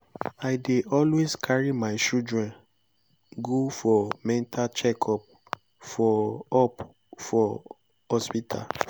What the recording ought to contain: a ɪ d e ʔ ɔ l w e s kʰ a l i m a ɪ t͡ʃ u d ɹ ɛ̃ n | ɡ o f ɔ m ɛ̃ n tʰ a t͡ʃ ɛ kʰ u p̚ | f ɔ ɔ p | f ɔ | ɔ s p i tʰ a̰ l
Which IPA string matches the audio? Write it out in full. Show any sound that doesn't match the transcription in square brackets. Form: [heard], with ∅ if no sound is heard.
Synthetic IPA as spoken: a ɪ d e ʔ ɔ l w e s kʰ a [ɹ] i m a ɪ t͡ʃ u d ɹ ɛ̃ n | ɡ o f ɔ m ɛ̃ n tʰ a t͡ʃ ɛ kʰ [ɔ] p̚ | f ɔ ɔ p | f ɔ | ɔ s p i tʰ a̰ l

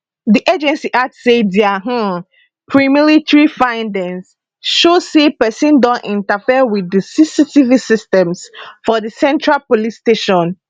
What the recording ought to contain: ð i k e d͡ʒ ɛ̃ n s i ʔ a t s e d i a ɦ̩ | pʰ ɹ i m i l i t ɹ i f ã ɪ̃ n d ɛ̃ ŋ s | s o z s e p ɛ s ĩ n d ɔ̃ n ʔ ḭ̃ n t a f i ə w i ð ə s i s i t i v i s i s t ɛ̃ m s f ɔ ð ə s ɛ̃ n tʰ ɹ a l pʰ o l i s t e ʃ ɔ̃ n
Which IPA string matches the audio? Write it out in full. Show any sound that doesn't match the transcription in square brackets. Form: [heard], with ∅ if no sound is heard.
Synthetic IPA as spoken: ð i [ʔ] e d͡ʒ ɛ̃ n s i ʔ a t s e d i a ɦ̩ | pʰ ɹ i m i l i t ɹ i f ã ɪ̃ n d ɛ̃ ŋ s | [ʃ] o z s e p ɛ s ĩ n d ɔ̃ n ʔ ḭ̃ n t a f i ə w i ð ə s i s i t i v i s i s t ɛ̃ m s f ɔ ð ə s ɛ̃ n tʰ ɹ a l [p] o l i s t e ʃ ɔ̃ n

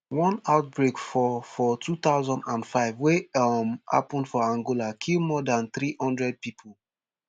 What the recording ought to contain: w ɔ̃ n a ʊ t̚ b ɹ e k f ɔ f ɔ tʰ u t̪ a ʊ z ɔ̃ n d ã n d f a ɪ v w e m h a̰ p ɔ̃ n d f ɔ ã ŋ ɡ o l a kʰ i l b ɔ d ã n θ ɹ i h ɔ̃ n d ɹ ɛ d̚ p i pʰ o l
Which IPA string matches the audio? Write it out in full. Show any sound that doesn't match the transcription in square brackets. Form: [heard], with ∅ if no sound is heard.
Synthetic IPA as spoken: w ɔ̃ n a ʊ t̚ b ɹ e k f ɔ f ɔ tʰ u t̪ a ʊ z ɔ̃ n d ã n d f a ɪ v w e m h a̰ p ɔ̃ n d f ɔ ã ŋ ɡ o l a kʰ i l [m] ɔ d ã n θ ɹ i h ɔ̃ n d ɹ ɛ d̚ p i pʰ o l

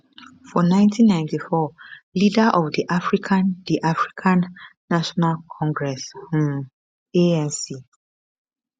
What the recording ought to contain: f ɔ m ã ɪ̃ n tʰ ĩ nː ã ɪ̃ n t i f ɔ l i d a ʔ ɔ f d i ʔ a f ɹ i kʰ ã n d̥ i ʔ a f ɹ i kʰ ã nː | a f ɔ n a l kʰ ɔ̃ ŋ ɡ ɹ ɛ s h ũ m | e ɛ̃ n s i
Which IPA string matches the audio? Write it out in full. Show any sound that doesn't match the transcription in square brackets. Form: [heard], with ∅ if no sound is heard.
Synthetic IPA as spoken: f ɔ [n] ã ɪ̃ n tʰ ĩ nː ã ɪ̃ n t i f ɔ l i d a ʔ ɔ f d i ʔ a f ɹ i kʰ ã n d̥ i ʔ a f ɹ i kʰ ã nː | a [ʃ] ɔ n a l kʰ ɔ̃ ŋ ɡ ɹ ɛ s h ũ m | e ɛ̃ n s i

